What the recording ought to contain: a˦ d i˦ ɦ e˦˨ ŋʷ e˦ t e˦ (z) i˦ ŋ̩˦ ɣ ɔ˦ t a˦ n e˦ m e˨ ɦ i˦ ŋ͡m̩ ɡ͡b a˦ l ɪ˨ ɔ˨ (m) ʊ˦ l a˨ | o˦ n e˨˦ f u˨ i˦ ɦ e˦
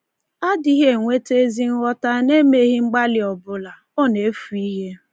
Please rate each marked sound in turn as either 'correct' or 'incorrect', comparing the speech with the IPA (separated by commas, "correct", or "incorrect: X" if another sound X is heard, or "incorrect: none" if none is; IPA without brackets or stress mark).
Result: correct, incorrect: b